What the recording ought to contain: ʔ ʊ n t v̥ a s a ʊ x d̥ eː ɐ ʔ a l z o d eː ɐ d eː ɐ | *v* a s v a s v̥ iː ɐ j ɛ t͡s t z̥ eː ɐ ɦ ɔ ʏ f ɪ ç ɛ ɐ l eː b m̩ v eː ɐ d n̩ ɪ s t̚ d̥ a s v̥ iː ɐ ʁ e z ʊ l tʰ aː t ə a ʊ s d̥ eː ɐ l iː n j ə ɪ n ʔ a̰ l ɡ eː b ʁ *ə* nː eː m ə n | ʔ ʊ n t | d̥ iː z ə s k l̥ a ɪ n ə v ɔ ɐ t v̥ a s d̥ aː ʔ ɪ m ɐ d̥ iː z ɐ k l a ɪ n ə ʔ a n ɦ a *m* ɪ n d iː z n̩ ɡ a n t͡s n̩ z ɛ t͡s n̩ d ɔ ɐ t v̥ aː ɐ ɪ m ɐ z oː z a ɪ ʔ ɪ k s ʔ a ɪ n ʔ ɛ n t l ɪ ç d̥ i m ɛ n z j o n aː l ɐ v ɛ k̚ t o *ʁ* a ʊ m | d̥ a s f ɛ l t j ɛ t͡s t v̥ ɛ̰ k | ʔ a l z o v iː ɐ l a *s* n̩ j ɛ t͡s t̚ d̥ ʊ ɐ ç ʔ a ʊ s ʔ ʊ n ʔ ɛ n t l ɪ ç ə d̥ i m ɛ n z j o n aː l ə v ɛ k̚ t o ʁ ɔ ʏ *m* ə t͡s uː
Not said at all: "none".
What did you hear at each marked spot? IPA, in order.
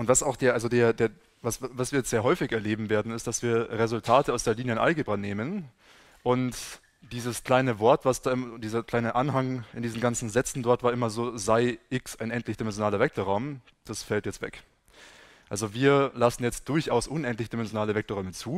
v, a, ŋ, ʁ, s, m

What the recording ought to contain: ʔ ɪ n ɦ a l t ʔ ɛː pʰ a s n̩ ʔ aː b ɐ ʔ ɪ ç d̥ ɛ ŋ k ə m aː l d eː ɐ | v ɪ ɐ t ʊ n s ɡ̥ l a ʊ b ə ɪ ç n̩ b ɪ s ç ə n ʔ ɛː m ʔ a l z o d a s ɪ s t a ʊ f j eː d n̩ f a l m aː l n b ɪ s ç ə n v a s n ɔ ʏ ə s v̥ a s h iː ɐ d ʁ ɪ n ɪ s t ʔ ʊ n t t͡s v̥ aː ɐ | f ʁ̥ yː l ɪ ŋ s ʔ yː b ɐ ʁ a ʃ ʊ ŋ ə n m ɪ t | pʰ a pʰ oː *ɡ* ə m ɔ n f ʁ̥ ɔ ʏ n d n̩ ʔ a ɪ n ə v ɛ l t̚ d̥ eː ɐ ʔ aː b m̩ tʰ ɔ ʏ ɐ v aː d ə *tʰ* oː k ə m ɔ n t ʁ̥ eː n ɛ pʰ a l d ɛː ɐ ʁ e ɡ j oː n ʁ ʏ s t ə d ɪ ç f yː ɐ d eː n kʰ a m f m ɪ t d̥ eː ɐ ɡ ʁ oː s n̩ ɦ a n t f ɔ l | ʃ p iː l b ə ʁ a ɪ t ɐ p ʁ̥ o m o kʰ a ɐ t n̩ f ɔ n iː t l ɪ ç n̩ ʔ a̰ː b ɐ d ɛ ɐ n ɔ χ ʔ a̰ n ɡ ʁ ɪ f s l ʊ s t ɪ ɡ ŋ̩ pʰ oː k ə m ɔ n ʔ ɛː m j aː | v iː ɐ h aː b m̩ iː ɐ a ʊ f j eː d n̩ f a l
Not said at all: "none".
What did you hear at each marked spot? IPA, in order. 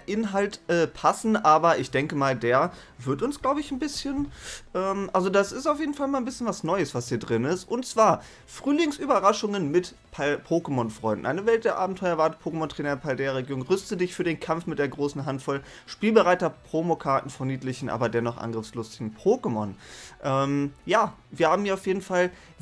k, pʰ

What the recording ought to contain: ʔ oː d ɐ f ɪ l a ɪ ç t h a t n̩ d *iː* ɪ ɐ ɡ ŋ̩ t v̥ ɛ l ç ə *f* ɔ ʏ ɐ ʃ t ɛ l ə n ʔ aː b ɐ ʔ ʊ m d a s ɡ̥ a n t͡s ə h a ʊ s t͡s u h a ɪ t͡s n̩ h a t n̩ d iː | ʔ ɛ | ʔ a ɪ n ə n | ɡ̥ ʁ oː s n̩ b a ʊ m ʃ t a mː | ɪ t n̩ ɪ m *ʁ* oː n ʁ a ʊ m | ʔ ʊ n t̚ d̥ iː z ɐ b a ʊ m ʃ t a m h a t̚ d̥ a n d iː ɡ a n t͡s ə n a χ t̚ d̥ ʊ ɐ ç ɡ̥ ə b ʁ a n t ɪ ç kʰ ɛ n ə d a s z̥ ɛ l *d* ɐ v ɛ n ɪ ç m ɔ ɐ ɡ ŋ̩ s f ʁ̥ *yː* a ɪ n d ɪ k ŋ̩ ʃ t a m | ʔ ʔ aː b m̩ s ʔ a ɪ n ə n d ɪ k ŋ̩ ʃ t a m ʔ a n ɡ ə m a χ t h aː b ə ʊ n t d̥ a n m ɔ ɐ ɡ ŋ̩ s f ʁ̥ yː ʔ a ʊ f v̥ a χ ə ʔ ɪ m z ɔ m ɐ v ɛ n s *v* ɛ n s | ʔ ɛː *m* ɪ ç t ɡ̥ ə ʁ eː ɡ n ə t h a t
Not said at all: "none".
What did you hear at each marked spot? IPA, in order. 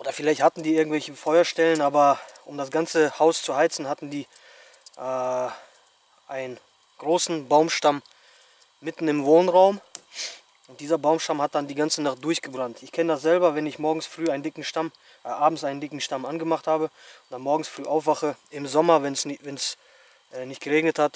iː, f, v, b, yː, v, n

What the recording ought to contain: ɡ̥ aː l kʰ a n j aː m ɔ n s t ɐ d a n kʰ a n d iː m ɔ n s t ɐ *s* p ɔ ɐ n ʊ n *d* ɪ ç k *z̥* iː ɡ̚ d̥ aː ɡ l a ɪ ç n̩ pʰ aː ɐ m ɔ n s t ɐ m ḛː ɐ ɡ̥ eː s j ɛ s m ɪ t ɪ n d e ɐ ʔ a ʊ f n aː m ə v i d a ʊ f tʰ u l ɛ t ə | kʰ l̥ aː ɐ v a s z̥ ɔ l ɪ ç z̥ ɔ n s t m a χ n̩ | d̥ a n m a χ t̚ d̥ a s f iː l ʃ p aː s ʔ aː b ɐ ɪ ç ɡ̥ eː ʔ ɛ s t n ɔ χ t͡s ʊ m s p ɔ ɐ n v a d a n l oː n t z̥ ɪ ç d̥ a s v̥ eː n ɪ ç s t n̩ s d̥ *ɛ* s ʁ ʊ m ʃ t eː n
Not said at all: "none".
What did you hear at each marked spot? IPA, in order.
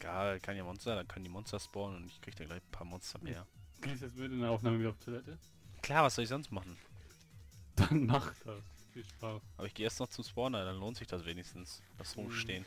s, t, ʁ̥, a

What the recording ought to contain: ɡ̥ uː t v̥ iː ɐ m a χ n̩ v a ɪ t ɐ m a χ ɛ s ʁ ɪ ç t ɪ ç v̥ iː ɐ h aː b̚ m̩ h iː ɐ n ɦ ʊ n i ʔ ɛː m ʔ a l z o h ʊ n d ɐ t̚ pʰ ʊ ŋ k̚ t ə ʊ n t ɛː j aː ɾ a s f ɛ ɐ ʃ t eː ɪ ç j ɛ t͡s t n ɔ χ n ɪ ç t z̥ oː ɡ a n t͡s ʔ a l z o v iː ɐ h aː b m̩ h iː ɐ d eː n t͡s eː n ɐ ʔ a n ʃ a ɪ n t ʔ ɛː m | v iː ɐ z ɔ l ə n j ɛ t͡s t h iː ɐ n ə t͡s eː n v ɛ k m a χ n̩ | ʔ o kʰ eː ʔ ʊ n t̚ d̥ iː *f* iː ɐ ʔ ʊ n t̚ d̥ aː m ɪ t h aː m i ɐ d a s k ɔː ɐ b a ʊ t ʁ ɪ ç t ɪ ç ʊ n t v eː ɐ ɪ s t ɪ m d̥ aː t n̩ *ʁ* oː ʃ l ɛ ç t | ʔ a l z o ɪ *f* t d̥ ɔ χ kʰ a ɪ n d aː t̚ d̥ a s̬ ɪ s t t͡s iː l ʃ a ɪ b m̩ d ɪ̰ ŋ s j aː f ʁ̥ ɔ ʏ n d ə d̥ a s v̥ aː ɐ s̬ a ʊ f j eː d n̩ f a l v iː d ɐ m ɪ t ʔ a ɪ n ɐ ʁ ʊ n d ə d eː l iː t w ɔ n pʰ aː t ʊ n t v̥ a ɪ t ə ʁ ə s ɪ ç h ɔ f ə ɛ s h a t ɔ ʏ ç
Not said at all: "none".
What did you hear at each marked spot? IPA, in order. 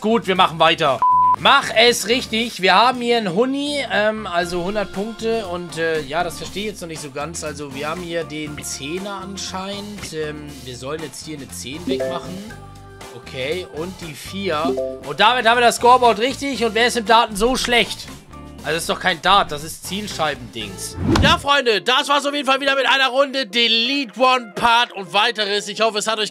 f, z, s

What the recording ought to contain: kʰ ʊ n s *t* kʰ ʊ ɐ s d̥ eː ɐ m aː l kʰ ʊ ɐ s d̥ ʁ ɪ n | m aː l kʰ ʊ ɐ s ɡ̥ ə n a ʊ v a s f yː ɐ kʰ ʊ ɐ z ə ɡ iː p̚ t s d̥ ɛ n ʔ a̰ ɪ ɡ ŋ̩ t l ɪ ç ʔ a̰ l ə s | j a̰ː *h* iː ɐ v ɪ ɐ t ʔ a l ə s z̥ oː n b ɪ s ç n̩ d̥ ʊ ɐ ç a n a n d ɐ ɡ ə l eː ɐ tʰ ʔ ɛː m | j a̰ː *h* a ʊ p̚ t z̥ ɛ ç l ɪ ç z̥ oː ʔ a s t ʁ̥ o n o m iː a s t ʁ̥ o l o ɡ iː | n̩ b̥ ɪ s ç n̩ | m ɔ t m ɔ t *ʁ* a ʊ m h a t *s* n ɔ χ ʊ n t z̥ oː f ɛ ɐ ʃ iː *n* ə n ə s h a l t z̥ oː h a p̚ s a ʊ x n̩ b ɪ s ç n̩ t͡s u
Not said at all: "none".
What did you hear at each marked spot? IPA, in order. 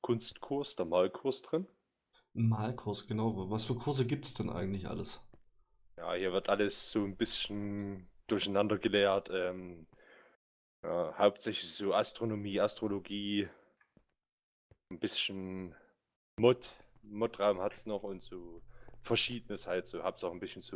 t, h, h, ʁ, s, d

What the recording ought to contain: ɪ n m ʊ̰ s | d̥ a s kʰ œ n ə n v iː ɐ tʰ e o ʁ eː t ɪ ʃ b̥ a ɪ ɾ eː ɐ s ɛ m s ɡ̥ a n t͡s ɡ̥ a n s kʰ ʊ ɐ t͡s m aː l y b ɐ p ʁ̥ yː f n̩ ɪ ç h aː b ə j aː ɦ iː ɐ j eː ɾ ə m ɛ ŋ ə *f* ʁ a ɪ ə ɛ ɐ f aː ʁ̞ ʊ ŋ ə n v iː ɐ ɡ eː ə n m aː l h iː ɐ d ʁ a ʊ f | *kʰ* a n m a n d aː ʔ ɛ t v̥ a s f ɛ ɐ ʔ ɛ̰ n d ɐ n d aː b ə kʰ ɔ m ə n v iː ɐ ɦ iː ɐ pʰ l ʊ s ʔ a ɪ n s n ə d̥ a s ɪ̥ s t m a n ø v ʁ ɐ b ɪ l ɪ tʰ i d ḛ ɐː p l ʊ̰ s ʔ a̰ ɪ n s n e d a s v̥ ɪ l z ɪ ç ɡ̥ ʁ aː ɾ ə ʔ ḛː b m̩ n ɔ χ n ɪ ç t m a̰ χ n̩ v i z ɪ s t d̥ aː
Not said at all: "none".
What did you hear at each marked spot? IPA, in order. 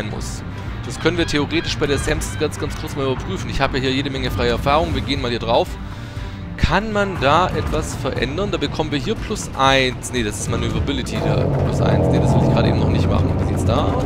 f, kʰ

